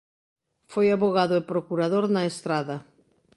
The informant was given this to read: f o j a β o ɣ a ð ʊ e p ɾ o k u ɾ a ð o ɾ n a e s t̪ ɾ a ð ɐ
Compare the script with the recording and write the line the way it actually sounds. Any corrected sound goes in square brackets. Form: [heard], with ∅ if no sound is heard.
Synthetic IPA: f o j a β o ɣ a ð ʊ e p ɾ o k u ɾ a ð o ɾ n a e s t̪ ɾ a ð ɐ

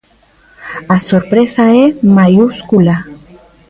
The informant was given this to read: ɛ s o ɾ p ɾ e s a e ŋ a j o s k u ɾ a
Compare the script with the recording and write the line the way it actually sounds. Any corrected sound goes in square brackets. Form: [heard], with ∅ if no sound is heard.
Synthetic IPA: [a] s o ɾ p ɾ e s a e [m] a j [u] s k u [l] a

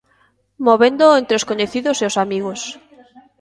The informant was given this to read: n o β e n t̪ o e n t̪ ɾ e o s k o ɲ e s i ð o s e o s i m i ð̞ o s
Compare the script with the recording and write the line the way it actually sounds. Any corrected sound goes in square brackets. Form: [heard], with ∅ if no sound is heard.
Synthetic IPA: [m] o β e n [d̪] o e n t̪ ɾ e o s k o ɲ e [θ] i ð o s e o s [a] m i [ɣ̞] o s

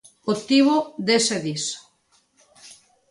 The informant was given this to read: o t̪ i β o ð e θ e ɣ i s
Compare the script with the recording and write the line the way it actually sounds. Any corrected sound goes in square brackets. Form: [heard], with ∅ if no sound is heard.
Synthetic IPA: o t̪ i β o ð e [s] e [ð] i s

